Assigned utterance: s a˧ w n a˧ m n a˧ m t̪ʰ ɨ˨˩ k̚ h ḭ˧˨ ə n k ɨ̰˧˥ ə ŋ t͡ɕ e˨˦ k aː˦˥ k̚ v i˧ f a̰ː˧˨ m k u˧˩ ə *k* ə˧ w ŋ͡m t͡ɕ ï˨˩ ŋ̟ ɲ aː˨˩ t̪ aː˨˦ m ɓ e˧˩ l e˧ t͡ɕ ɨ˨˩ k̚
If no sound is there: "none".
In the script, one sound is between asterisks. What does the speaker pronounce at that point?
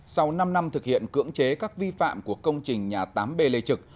k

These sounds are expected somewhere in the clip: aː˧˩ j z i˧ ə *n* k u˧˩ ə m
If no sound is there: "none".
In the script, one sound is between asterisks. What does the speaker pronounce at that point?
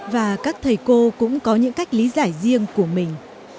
ŋ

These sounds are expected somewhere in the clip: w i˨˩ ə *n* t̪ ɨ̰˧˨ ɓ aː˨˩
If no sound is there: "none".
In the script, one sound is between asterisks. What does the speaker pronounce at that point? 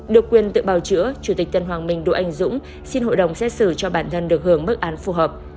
n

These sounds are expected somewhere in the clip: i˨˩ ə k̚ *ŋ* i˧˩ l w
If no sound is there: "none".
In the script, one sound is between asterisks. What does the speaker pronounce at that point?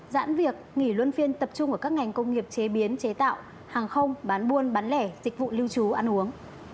ŋ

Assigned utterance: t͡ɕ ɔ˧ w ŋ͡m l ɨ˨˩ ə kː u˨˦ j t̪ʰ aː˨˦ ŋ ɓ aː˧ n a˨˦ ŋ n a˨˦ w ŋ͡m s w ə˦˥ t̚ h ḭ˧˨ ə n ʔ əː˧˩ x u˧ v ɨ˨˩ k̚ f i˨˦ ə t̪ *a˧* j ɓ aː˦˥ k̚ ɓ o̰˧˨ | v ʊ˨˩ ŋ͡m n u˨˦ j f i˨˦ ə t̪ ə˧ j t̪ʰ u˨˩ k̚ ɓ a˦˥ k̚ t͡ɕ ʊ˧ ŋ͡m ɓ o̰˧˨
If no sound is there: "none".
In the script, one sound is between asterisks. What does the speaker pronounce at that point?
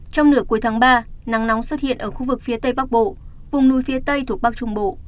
ə˧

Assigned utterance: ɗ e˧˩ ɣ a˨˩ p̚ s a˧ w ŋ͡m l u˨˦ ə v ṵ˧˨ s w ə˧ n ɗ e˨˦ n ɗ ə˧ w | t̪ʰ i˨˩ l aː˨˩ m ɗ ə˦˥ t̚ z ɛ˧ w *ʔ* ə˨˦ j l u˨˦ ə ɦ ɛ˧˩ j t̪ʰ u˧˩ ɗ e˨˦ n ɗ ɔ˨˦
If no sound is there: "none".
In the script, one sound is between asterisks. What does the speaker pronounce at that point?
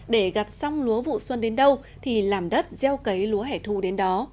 k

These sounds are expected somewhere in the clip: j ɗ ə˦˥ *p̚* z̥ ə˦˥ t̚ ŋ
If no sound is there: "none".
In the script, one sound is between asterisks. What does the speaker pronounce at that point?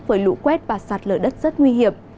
t̚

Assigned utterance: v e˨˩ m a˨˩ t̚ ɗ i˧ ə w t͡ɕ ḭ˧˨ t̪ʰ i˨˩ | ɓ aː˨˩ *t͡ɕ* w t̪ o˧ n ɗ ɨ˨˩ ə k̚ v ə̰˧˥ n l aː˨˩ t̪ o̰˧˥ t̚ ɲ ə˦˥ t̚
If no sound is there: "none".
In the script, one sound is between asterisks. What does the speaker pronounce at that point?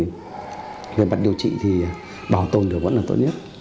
none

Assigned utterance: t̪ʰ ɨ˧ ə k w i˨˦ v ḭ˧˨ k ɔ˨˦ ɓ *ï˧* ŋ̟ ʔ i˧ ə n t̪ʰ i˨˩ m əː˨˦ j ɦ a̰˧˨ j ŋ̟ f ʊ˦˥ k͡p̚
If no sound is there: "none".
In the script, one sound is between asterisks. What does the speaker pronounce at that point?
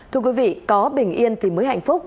ï˨˩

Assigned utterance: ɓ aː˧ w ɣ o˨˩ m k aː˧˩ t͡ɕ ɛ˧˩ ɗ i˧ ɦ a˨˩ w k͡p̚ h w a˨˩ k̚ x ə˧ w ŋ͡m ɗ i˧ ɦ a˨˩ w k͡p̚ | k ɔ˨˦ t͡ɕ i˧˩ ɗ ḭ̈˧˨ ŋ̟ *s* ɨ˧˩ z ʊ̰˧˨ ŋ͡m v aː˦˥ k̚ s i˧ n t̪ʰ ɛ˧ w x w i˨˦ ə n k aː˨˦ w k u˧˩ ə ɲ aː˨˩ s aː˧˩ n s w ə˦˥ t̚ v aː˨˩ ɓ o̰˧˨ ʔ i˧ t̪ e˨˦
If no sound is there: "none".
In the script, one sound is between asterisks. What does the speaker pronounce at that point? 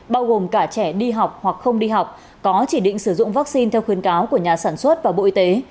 s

